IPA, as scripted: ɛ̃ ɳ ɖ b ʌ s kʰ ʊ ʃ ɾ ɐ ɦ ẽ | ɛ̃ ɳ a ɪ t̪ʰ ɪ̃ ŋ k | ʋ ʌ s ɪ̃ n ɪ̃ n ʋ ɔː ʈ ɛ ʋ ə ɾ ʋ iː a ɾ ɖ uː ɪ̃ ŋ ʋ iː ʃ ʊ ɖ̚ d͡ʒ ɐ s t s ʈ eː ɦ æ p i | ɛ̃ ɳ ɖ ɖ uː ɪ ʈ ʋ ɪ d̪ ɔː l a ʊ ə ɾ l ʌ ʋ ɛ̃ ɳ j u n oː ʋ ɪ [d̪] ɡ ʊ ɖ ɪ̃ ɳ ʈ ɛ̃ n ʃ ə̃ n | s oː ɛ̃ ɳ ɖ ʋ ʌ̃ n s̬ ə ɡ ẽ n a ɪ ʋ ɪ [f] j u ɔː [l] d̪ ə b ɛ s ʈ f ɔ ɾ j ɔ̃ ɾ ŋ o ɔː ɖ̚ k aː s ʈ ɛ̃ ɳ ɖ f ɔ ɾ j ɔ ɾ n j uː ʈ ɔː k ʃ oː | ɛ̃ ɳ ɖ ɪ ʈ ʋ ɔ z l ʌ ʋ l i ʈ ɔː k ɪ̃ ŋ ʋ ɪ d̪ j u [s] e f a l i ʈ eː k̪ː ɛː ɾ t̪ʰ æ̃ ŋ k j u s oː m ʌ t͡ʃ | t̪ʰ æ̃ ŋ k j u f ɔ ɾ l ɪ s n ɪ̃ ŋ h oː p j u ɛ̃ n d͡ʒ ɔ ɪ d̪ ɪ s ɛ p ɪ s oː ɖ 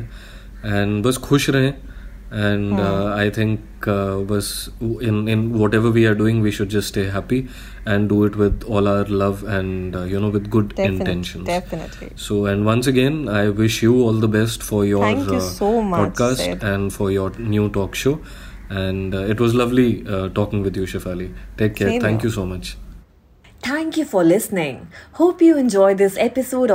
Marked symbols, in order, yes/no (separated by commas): yes, no, yes, no